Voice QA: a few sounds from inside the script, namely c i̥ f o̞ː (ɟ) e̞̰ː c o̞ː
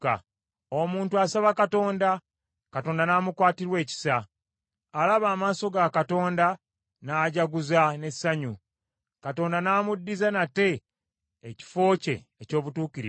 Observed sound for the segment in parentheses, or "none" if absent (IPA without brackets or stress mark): c